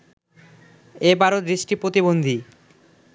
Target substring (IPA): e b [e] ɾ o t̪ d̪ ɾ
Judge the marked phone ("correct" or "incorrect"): incorrect